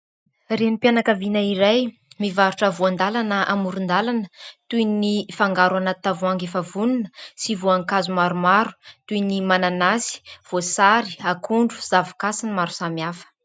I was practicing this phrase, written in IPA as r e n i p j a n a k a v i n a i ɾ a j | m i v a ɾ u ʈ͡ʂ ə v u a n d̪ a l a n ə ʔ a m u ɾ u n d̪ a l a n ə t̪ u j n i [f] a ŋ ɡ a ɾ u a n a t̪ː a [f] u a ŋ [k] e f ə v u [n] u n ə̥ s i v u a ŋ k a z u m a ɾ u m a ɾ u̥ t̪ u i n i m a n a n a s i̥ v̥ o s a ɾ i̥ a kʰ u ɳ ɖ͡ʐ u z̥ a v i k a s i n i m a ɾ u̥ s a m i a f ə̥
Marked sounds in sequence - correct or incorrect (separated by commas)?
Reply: correct, incorrect, incorrect, correct